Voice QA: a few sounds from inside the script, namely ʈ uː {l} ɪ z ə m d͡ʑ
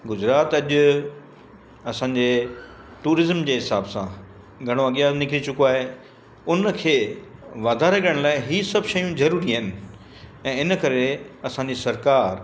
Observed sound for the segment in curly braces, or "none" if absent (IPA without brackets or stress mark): ɾ